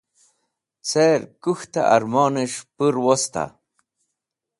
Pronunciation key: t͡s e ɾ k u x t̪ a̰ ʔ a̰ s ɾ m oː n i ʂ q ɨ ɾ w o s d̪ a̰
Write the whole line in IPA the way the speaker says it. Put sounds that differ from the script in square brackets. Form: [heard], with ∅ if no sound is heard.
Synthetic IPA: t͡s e ɾ k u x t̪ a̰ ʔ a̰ [∅] ɾ m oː n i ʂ [p] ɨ ɾ w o s [t̪] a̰